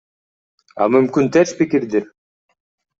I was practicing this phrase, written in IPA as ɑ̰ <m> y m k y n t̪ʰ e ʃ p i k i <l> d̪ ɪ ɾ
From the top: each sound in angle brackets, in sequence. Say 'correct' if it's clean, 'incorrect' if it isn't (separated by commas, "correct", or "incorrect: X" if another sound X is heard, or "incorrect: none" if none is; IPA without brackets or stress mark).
correct, incorrect: ɾ